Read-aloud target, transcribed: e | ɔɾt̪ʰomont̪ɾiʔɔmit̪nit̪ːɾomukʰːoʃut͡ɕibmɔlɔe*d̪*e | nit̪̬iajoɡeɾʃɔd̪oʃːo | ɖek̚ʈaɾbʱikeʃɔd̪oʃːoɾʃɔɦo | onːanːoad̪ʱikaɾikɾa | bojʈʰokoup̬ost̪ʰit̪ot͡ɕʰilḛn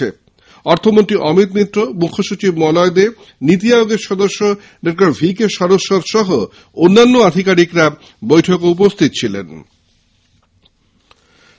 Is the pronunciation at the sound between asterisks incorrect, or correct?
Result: correct